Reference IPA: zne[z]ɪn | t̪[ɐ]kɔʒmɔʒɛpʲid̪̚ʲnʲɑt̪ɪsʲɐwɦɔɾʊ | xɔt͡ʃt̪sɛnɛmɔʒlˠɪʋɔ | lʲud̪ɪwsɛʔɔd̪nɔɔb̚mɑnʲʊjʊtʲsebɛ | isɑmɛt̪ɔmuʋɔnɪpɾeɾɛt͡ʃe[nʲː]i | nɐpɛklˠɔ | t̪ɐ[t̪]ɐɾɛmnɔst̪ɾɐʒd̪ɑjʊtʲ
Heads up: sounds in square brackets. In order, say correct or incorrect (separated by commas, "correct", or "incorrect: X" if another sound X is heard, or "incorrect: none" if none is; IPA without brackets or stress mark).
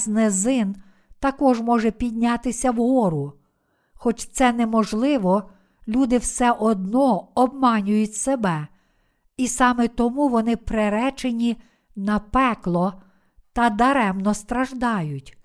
correct, correct, incorrect: nʲ, incorrect: d̪